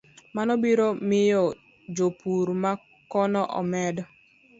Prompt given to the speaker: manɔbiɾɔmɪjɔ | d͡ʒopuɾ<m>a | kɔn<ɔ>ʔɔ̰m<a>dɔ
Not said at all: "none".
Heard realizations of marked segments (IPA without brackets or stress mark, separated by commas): m, ɔ, ɛ